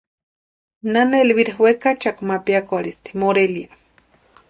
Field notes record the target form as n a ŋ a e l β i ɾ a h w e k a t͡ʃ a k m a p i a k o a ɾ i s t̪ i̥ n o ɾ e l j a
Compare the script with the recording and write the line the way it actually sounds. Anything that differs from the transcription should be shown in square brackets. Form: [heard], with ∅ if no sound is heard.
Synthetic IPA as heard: n a [n] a e l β i ɾ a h w e k a t͡ʃ a k m a p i a k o a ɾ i s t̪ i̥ [m] o ɾ e l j a